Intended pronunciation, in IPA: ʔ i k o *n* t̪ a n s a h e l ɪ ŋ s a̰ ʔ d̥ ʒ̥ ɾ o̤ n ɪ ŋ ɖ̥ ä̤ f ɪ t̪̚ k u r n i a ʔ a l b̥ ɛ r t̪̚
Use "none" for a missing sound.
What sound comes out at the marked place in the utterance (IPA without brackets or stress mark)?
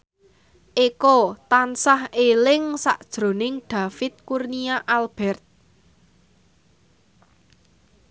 none